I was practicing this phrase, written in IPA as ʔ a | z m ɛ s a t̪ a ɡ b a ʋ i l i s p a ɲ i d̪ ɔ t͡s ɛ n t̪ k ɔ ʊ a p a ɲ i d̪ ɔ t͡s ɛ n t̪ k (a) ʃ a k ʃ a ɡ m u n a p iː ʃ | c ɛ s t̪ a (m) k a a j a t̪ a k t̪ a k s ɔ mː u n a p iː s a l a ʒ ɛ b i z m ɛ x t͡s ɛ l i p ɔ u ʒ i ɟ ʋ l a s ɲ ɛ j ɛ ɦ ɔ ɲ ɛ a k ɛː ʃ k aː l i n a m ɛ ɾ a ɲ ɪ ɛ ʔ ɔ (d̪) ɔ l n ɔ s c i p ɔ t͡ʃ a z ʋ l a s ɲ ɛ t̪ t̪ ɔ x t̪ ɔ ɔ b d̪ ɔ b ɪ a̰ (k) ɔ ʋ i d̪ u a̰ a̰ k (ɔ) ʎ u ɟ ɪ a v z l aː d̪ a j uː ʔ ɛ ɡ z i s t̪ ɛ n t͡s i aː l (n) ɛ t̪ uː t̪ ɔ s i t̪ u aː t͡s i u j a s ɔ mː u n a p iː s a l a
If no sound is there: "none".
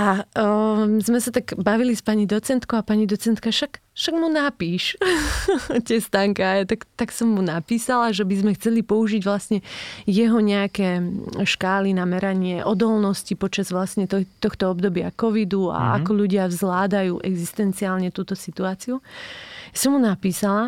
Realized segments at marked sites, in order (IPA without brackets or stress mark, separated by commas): a, ŋ, d̪, k, ɔ, ɲ